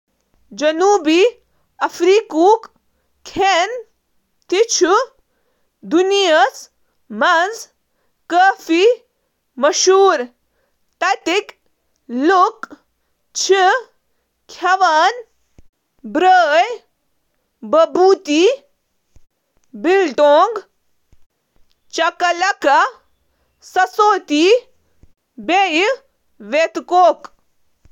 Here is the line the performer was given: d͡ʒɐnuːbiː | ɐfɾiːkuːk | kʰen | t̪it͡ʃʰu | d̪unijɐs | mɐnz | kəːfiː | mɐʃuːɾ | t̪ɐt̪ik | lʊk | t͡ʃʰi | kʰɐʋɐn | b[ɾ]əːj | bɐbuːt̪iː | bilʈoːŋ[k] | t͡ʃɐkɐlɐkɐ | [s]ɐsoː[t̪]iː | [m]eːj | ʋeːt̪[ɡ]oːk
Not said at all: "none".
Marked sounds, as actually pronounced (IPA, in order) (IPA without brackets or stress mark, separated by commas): ɾ, ɡ, s, t̪, b, k